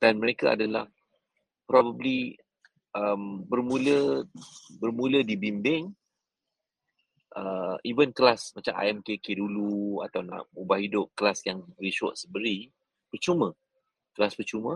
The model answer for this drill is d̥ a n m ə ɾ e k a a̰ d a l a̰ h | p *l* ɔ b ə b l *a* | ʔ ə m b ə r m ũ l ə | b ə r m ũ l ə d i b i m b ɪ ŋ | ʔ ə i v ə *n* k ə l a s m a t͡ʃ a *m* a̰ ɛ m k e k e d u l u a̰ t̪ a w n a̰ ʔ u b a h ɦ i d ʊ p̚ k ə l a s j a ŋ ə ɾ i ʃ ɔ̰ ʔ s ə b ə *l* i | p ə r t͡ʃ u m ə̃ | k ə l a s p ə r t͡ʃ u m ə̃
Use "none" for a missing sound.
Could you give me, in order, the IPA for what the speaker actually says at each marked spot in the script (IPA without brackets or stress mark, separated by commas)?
ɾ, i, n, m, ɾ